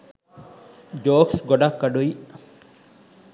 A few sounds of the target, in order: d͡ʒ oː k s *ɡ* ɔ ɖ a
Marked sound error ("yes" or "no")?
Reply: no